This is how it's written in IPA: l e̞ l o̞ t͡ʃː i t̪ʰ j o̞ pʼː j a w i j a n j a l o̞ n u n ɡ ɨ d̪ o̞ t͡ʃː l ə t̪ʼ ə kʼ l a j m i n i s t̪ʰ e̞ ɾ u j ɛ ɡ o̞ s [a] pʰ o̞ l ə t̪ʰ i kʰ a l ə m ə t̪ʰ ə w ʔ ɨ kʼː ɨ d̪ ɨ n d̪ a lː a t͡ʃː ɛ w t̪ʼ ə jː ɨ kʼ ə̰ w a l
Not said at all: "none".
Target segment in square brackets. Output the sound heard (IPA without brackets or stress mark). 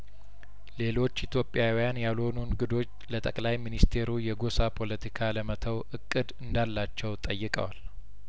a